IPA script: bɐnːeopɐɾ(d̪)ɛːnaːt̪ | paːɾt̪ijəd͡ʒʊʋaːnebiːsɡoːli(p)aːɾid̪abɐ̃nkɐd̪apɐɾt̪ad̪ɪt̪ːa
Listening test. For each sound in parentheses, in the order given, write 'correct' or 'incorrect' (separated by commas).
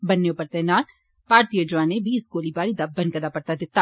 incorrect, incorrect